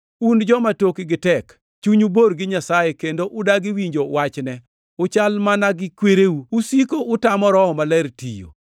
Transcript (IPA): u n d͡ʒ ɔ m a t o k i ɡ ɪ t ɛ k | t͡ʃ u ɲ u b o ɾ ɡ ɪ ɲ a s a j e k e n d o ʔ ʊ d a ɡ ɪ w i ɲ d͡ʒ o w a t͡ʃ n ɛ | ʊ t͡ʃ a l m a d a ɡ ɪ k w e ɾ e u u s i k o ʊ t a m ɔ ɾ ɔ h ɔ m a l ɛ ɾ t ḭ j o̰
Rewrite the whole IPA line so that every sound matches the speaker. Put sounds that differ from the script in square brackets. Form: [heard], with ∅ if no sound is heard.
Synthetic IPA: u n d͡ʒ ɔ m a t o k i ɡ ɪ t ɛ k | t͡ʃ u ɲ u b o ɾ ɡ ɪ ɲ a s a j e k e n d o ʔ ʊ d a ɡ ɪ w i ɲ d͡ʒ o w a t͡ʃ n ɛ | ʊ t͡ʃ a l m a [n] a ɡ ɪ k w e ɾ e u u s i k o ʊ t a m ɔ ɾ ɔ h ɔ m a l ɛ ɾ t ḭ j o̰